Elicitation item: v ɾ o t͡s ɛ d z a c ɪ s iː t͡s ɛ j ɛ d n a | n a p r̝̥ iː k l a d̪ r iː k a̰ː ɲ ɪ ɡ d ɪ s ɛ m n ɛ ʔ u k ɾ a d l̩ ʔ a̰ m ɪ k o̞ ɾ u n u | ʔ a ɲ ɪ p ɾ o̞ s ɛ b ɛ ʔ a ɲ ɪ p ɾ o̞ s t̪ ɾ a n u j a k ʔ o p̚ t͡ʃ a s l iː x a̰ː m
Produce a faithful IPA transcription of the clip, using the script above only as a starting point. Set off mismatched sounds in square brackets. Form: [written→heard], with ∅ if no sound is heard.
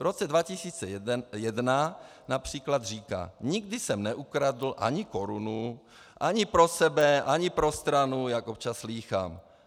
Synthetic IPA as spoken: v ɾ o t͡s ɛ d [z→v] a c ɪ s iː t͡s ɛ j ɛ d n a | n a p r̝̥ iː k l a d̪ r iː k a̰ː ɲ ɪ ɡ d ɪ s ɛ m n ɛ ʔ u k ɾ a d l̩ ʔ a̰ [m→ɲ] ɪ k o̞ ɾ u n u | ʔ a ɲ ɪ p ɾ o̞ s ɛ b ɛ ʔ a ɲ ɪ p ɾ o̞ s t̪ ɾ a n u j a k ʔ o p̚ t͡ʃ a s l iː x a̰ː m